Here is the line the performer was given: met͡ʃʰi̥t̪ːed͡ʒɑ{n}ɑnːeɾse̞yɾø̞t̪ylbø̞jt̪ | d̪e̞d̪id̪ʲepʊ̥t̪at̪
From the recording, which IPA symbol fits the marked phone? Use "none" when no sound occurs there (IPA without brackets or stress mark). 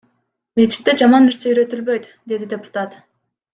m